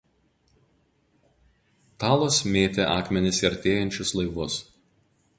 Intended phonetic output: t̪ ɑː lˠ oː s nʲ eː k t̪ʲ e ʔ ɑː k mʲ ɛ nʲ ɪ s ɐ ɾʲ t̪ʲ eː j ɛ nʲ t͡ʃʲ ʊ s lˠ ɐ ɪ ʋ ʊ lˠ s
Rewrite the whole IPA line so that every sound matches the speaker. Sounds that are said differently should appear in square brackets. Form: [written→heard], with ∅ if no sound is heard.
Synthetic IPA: t̪ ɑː lˠ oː s [nʲ→mʲ] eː [k→∅] t̪ʲ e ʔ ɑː k mʲ ɛ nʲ ɪ s ɐ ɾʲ t̪ʲ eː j ɛ nʲ t͡ʃʲ ʊ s lˠ ɐ ɪ ʋ ʊ [lˠ→∅] s